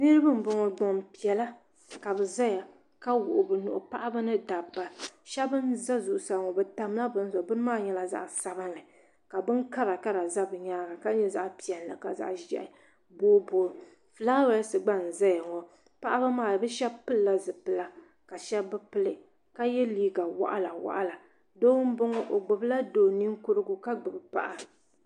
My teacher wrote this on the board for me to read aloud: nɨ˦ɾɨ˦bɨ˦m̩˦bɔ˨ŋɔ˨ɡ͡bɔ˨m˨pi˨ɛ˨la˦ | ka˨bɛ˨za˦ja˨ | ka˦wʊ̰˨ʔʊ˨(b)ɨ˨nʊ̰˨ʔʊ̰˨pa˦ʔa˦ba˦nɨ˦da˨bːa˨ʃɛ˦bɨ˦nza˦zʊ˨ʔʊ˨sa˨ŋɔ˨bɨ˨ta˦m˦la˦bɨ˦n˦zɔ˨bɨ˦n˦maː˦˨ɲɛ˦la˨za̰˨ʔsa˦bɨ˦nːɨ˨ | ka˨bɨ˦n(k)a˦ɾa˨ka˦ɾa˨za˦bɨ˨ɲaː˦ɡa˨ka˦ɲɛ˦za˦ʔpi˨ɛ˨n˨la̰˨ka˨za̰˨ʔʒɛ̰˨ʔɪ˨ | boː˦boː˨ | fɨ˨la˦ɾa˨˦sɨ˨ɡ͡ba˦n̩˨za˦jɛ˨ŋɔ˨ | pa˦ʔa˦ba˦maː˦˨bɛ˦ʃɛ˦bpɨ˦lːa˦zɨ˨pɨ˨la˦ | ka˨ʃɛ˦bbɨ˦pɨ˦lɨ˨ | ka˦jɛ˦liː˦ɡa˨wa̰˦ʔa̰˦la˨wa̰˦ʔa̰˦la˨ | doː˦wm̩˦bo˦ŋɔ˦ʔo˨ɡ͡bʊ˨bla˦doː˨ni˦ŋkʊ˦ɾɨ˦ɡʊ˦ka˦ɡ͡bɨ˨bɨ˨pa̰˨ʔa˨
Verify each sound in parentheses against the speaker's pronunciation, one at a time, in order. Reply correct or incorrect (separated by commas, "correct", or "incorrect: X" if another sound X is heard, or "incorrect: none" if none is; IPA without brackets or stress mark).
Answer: correct, correct